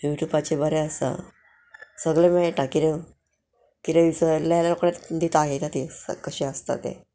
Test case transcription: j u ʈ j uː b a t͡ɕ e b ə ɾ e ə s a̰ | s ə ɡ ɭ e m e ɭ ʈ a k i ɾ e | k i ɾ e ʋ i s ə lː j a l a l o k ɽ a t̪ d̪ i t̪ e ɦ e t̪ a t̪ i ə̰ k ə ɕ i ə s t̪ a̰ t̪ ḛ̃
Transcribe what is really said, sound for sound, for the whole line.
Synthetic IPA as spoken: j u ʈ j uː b a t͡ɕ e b ə ɾ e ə s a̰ | s ə ɡ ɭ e m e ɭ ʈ a k i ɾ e | k i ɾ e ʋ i s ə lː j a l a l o k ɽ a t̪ d̪ i t̪ a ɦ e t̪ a t̪ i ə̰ k ə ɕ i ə s t̪ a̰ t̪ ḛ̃